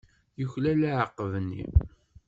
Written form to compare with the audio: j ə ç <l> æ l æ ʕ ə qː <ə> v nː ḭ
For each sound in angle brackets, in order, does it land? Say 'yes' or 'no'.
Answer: yes, yes

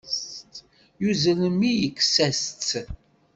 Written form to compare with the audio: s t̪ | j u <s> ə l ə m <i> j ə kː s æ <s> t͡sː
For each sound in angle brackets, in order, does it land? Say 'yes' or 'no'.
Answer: no, yes, yes

